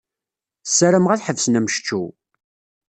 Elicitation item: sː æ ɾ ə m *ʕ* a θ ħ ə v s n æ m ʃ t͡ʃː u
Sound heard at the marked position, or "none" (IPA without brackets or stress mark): ʁ